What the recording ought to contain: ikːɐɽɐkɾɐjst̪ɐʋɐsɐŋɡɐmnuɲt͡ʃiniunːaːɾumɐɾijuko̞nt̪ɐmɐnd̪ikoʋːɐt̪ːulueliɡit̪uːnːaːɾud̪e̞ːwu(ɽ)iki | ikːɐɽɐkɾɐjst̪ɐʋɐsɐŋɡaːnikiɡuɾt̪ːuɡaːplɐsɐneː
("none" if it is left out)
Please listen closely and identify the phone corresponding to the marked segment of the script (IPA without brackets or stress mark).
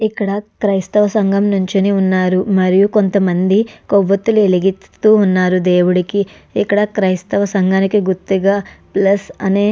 ɽ